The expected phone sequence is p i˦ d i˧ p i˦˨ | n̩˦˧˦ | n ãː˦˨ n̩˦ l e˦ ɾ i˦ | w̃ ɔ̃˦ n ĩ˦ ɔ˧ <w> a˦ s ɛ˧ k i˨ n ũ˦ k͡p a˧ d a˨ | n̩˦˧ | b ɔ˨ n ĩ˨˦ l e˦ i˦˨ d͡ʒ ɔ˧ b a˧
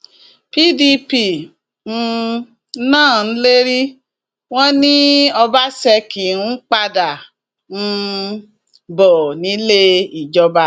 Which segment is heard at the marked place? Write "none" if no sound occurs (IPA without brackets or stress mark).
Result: b